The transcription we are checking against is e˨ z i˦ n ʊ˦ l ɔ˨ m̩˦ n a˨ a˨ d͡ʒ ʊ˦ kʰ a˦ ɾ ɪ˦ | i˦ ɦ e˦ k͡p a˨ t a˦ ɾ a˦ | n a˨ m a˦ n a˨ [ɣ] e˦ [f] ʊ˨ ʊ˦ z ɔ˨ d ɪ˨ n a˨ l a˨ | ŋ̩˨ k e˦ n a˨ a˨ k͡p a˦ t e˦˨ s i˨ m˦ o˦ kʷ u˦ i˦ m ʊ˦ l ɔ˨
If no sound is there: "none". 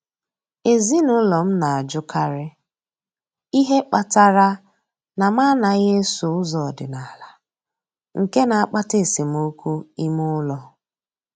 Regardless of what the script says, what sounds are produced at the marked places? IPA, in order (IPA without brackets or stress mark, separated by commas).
ɣ, s